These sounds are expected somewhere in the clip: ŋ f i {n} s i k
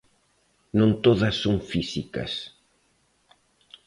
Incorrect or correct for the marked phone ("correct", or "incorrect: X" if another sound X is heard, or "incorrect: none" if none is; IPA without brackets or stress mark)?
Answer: incorrect: none